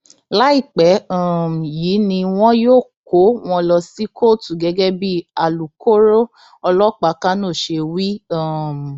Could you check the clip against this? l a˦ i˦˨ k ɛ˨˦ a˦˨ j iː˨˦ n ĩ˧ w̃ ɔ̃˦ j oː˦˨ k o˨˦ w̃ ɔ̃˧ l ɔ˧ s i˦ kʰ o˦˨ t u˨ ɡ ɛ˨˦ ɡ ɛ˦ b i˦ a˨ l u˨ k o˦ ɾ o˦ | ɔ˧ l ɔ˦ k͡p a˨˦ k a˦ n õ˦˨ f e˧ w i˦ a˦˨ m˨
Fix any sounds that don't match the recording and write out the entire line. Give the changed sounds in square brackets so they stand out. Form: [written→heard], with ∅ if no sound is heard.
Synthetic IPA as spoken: l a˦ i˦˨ [k→k͡p] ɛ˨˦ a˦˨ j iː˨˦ n ĩ˧ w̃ ɔ̃˦ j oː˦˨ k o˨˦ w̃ ɔ̃˧ l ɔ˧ s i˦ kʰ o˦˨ t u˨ ɡ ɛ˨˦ ɡ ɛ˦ b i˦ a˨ l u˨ k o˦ ɾ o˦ | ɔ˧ l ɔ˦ k͡p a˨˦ k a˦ n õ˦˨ [f→ʃ] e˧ w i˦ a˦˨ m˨